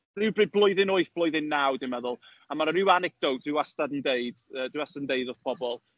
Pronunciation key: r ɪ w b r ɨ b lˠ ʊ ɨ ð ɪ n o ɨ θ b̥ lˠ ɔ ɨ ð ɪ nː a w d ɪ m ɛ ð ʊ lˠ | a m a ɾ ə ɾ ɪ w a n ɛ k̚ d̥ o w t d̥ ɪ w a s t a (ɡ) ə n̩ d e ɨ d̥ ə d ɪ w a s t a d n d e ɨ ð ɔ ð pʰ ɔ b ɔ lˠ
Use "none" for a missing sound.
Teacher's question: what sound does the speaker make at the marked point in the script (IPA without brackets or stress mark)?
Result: d